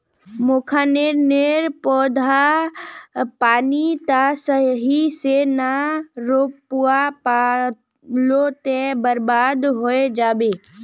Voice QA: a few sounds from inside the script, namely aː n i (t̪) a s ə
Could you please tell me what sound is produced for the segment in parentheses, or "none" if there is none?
t̪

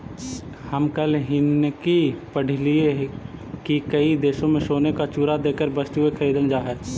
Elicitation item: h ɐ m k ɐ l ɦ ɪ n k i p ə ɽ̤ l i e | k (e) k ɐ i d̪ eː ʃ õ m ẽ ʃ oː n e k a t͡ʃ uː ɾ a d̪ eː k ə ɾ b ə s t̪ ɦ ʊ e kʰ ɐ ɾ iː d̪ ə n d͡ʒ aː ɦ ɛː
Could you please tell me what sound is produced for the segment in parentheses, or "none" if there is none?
i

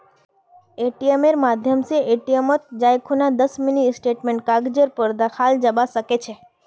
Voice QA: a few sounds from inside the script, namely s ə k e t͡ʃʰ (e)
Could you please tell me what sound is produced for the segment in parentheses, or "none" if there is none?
e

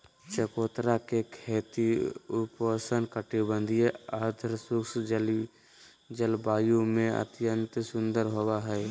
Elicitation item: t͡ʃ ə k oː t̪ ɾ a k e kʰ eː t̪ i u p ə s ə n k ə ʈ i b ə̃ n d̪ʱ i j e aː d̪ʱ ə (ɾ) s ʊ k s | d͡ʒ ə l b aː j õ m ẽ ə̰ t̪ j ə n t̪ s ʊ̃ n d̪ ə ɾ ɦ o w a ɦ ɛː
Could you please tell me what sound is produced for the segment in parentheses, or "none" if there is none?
ɾ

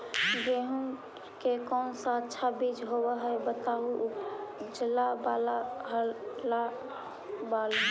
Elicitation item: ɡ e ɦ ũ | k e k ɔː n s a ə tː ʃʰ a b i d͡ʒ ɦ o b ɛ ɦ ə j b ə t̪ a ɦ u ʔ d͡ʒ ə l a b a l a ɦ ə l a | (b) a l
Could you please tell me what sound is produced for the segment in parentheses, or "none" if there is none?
b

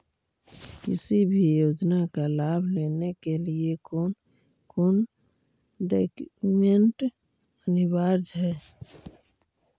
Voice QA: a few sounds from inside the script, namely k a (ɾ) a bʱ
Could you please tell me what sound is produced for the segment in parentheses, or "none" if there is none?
l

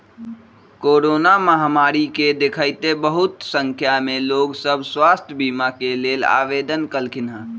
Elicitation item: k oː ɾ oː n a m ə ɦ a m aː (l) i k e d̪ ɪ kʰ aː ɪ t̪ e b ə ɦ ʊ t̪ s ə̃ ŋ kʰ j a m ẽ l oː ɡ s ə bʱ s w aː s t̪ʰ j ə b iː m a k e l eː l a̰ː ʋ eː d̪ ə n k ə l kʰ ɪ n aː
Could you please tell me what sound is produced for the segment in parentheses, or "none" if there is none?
ɾ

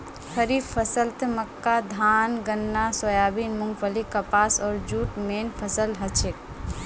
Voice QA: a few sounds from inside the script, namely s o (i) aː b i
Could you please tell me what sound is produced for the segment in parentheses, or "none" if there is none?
j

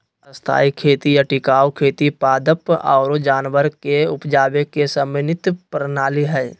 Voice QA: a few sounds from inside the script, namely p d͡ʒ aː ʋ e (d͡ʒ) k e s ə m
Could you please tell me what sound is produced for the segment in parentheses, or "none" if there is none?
none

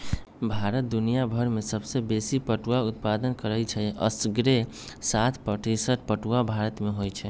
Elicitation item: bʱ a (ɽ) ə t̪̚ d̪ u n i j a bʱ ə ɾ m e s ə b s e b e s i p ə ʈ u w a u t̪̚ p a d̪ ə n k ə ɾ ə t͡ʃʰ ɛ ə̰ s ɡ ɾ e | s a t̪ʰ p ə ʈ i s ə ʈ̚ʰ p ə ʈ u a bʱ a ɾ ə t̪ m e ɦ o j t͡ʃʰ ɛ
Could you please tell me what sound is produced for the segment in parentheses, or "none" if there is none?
ɾ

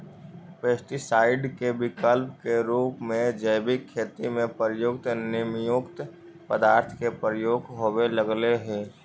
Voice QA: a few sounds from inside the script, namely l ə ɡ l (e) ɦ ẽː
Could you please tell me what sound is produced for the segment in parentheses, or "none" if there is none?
e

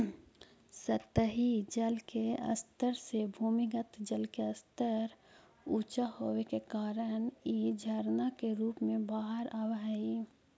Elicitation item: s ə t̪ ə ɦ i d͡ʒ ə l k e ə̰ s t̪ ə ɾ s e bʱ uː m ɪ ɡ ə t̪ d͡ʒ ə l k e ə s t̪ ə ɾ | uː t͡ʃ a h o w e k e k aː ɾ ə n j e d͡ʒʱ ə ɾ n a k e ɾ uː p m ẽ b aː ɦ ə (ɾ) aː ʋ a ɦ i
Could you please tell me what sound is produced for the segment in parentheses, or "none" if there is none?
ɾ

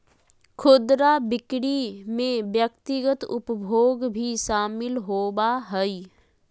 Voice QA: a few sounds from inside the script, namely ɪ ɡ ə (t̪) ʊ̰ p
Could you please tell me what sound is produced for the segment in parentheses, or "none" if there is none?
t̪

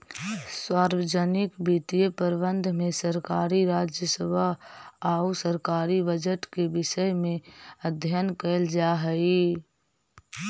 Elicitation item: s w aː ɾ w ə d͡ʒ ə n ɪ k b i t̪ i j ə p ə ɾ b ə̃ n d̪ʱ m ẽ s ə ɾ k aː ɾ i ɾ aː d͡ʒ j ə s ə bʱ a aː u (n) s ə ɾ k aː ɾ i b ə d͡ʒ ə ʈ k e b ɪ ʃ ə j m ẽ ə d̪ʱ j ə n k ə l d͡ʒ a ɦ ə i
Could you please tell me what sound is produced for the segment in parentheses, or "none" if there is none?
none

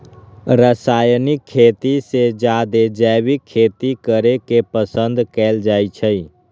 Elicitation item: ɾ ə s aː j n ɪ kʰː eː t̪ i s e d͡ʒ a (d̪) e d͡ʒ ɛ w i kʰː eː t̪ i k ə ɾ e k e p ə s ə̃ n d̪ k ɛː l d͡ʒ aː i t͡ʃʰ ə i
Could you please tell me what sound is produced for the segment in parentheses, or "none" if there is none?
d̪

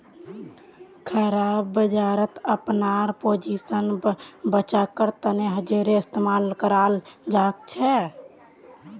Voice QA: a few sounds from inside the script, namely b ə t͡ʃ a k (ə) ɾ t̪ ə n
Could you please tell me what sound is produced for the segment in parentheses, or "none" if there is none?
ə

